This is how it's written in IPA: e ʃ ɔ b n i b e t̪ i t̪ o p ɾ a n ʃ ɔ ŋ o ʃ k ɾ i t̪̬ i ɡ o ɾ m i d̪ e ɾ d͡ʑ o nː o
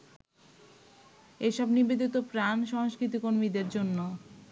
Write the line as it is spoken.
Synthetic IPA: e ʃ ɔ b n i b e d̪ i t̪ o p ɾ a n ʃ ɔ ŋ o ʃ k ɾ i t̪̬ i k o ɾ m i d̪ e ɾ d͡ʑ o nː o